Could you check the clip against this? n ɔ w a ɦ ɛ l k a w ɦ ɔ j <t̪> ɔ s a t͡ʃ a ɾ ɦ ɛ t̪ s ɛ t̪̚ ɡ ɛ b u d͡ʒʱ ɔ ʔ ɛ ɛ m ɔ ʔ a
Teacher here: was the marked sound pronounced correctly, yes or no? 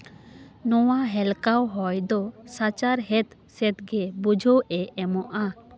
no